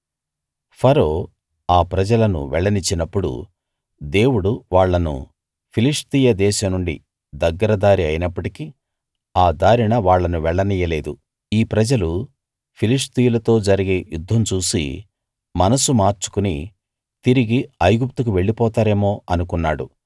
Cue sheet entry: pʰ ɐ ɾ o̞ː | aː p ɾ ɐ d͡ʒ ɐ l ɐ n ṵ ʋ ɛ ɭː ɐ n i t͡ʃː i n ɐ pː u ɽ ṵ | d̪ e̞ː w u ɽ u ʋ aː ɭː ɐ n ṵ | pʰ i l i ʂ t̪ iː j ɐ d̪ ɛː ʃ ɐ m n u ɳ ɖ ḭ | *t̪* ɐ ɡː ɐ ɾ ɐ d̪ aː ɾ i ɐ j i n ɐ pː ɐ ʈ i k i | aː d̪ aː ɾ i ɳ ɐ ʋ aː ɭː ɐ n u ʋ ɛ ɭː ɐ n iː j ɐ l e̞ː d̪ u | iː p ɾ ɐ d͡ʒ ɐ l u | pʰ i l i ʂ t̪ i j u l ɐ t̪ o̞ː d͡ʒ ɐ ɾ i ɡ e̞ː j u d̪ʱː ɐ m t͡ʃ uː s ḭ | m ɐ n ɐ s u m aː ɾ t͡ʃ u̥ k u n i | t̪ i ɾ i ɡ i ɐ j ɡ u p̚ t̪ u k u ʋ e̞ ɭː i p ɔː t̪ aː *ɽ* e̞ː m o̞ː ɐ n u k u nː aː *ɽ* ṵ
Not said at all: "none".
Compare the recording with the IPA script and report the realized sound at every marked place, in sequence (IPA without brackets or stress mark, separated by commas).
d̪, ɾ, ɽ